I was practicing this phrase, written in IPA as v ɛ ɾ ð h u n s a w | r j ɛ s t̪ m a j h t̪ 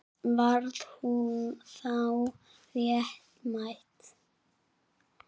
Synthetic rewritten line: v a ɾ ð h u n θ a w | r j ɛ h t̪ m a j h t̪